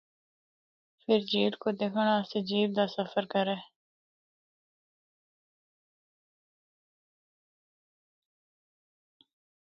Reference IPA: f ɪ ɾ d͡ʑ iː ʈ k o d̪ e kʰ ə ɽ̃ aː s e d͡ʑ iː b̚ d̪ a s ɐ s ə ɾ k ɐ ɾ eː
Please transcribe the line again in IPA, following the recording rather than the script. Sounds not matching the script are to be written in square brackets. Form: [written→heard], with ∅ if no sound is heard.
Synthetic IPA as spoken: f ɪ ɾ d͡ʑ iː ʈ k o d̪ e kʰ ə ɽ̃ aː s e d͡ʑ iː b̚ d̪ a s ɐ [s→f] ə ɾ k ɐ ɾ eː